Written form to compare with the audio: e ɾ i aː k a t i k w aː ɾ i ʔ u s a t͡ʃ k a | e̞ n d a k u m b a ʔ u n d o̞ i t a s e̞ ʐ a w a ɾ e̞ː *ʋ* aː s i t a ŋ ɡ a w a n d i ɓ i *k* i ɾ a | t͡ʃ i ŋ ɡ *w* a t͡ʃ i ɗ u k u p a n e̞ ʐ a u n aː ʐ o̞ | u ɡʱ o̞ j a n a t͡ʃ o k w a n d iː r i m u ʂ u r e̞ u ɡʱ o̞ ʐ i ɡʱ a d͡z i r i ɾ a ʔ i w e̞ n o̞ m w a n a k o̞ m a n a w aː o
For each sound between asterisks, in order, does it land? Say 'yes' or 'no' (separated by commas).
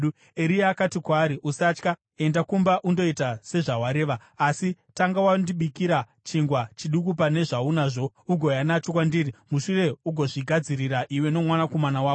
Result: yes, yes, yes